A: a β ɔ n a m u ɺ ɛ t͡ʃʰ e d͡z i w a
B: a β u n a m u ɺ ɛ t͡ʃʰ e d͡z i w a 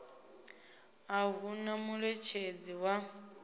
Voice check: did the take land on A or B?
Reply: B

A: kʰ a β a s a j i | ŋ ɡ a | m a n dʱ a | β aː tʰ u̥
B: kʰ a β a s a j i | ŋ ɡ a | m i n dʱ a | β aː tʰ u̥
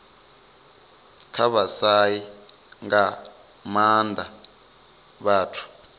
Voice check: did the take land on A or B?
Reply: A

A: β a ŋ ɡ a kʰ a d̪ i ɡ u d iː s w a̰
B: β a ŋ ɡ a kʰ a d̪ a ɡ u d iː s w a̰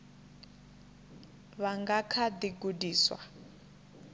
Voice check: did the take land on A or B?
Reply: A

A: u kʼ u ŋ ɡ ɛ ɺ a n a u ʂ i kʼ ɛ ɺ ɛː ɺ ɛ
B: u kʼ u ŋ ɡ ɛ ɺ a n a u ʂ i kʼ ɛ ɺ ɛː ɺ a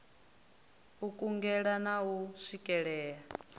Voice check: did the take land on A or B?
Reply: B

